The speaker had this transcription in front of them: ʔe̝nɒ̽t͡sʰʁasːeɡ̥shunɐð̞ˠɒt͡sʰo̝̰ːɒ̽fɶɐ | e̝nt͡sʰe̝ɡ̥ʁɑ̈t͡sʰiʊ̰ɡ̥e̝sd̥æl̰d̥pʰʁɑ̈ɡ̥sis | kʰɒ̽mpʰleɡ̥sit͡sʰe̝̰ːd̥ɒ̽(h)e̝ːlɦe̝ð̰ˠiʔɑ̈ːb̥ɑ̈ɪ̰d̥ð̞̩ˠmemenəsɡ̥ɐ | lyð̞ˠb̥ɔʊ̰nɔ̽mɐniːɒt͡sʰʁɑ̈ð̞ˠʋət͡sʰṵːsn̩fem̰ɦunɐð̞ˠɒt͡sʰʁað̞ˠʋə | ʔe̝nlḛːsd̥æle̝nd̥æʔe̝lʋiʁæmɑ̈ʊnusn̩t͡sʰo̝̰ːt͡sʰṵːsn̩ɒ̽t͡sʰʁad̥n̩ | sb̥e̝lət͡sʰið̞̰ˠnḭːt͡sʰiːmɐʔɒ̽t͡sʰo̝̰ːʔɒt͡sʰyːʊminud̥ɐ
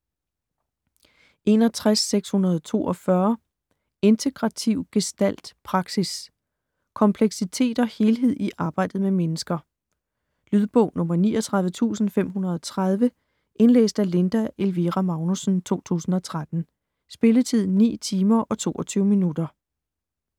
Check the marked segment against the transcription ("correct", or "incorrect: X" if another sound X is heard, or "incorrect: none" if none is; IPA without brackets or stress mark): correct